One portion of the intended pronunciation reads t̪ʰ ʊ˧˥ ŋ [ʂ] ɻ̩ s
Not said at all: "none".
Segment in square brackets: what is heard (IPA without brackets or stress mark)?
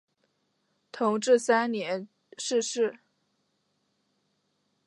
ʈ͡ʂ